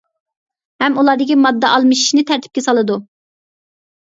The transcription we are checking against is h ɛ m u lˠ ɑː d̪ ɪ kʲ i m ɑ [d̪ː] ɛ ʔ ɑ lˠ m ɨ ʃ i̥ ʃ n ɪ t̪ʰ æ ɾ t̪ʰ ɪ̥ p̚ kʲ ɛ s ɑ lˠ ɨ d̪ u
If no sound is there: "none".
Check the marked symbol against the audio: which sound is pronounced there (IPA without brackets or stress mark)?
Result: d̪ː